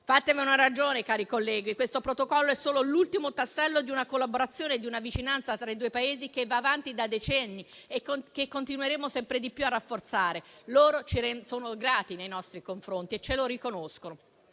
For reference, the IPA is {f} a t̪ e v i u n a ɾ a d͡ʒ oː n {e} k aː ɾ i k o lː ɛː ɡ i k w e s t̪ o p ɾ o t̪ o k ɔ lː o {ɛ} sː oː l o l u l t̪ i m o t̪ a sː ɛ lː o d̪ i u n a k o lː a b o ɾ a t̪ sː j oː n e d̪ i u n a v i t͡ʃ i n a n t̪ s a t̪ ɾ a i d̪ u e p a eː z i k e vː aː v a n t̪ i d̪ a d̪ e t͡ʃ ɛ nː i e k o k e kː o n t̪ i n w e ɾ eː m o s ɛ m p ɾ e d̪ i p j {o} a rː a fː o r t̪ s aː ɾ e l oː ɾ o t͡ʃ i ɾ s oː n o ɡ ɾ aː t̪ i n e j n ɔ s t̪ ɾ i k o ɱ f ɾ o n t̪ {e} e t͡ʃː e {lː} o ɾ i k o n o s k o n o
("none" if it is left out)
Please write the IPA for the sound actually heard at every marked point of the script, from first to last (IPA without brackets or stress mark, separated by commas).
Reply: f, e, ɛ, u, i, l